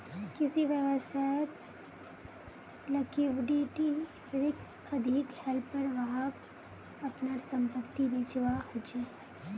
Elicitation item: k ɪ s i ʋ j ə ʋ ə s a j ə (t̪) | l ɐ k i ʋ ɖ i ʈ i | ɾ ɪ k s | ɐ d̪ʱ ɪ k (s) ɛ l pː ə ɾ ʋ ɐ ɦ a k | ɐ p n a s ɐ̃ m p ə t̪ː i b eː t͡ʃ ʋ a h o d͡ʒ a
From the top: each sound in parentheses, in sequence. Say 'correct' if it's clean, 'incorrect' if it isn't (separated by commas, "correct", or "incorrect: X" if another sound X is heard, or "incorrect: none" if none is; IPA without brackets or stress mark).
correct, incorrect: h